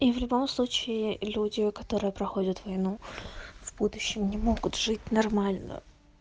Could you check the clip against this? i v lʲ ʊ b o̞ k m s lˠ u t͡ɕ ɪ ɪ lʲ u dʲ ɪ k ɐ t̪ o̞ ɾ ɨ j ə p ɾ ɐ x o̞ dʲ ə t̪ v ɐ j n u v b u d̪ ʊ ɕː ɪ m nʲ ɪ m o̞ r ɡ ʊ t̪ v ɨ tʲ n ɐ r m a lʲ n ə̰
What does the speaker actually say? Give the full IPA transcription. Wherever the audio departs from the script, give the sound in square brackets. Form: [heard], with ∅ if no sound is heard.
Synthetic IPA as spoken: i v lʲ ʊ b o̞ [∅] m s lˠ u t͡ɕ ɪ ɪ lʲ u dʲ ɪ k ɐ t̪ o̞ ɾ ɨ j ə p ɾ ɐ x o̞ dʲ ə t̪ v ɐ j n u v b u d̪ ʊ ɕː ɪ m nʲ ɪ m o̞ [∅] ɡ ʊ t̪ [ʐ] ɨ tʲ n ɐ r m a lʲ n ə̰